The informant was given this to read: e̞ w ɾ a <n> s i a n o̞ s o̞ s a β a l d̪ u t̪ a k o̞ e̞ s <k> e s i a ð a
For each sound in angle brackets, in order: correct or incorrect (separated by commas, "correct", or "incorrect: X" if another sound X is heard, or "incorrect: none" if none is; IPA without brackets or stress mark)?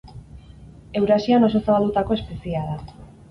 incorrect: none, incorrect: p